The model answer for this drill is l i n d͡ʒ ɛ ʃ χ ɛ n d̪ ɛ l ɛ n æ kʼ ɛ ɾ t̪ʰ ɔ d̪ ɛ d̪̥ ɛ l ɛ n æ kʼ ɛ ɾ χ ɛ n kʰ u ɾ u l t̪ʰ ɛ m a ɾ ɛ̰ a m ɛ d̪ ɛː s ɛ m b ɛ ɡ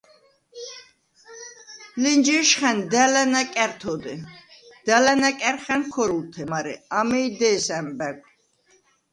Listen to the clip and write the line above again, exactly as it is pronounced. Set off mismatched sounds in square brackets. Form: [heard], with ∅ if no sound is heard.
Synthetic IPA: l i n d͡ʒ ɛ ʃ χ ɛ n d̪ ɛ l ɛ n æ kʼ ɛ ɾ t̪ʰ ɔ d̪ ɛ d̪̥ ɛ l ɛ n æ kʼ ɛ ɾ χ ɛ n kʰ [ɔ] ɾ u l t̪ʰ ɛ m a ɾ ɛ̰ a m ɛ d̪ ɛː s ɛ m b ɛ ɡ